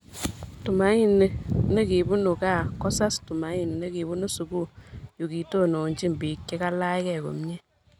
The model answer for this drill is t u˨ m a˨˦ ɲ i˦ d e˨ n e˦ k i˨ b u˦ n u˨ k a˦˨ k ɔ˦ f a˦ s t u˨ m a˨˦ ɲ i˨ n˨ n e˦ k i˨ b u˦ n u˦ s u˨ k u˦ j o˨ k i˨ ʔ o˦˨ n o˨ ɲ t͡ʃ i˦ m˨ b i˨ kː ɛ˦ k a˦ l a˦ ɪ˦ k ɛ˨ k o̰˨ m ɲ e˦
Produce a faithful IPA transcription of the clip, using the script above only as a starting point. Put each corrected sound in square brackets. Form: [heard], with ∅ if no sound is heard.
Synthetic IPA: t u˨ m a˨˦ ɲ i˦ [n] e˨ n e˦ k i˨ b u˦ n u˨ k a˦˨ k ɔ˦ [s] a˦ s t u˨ m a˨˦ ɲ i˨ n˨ n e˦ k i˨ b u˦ n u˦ s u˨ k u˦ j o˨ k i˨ [t] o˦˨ n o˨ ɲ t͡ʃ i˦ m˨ b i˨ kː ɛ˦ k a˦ l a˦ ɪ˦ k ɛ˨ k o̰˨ m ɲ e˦